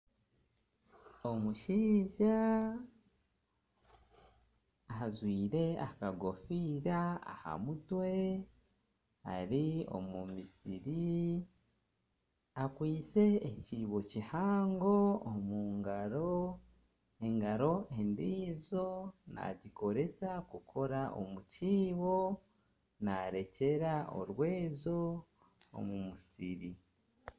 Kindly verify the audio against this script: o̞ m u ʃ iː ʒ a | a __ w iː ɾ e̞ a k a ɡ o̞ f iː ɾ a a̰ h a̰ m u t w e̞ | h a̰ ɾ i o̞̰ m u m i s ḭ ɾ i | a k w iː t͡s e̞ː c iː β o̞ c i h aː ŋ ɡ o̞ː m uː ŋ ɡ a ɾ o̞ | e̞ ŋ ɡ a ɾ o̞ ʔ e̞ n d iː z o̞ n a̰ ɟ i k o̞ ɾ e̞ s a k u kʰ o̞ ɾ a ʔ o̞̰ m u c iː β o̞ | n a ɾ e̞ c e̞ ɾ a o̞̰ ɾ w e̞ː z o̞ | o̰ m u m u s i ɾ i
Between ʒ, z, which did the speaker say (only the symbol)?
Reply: z